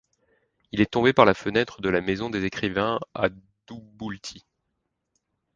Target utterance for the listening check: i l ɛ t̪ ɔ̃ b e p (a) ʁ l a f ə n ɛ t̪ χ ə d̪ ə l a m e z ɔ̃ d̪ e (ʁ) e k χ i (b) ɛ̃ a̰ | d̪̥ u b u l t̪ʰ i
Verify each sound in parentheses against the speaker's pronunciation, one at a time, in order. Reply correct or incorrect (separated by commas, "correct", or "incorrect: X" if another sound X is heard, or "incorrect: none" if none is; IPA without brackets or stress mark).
correct, incorrect: z, incorrect: v